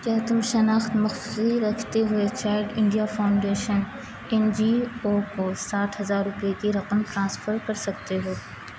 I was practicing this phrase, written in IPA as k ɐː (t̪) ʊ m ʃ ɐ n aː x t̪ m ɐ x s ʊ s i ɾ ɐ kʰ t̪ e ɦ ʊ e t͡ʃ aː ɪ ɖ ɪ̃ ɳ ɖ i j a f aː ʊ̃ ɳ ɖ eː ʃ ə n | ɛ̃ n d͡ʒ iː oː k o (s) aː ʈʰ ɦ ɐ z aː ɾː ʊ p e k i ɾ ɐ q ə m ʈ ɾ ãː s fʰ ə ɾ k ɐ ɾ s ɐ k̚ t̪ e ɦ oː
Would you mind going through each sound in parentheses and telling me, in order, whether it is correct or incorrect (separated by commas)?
correct, correct